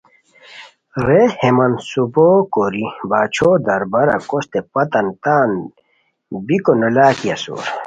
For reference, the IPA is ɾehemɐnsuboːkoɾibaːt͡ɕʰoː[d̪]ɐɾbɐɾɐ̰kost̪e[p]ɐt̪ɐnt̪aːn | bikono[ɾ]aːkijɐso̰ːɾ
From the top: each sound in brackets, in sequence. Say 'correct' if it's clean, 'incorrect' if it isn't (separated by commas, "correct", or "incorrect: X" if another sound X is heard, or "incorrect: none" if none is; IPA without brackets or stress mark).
correct, correct, incorrect: l